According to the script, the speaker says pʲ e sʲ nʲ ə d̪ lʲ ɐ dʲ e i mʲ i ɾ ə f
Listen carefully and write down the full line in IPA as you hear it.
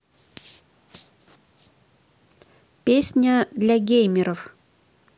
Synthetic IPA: pʲ e sʲ nʲ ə d̪ lʲ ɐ ɡʲ e j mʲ ɪ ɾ ə f